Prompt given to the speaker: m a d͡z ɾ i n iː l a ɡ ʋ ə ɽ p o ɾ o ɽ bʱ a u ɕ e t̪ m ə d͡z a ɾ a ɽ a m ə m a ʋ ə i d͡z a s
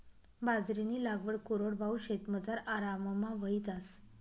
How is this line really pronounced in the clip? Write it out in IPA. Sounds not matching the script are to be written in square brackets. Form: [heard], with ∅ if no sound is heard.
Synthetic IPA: [b] a d͡z ɾ i n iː l a ɡ ʋ ə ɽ [k] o ɾ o ɽ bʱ a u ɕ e t̪ m ə d͡z a ɾ a [ɾ] a m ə m a ʋ ə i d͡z a s